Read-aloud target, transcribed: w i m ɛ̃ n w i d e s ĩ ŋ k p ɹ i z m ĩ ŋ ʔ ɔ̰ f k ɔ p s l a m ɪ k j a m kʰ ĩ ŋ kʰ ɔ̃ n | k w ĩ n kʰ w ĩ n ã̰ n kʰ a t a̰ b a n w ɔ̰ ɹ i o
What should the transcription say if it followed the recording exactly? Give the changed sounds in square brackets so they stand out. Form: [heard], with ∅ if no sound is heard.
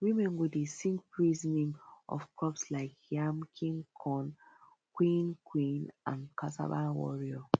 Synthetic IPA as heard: w i m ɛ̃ n w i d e s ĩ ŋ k p ɹ i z [n] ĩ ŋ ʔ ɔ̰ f k ɔ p s l a [∅] ɪ k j a m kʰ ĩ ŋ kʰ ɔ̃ n | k w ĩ n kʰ w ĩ n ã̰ n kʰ a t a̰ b a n w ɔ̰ ɹ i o